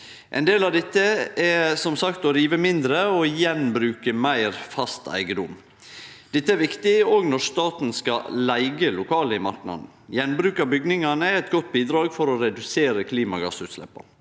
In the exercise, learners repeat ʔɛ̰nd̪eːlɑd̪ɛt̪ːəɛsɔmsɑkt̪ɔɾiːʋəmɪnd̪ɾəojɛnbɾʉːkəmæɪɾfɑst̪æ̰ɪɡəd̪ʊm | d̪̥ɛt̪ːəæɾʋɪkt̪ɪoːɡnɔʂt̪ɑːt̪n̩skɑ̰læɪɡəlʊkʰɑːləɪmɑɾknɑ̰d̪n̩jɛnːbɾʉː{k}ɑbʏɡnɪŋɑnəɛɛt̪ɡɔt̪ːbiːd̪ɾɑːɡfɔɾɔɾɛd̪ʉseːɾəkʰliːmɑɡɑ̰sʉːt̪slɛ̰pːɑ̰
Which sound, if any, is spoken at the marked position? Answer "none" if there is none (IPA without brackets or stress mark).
k